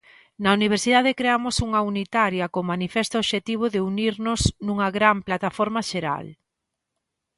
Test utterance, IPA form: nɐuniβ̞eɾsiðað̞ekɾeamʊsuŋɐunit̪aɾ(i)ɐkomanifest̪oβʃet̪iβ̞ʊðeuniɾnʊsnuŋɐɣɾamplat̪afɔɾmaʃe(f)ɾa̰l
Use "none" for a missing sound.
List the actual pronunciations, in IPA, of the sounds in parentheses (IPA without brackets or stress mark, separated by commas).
j, none